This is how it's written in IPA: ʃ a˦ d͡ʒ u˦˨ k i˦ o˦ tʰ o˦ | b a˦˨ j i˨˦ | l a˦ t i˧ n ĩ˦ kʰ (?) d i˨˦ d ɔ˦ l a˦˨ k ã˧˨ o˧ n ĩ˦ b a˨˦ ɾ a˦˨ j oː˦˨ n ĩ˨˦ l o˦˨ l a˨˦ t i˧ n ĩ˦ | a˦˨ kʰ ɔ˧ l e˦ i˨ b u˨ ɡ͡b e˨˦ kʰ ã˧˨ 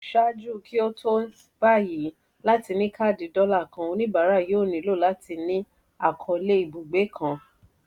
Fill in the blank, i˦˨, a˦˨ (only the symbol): a˦˨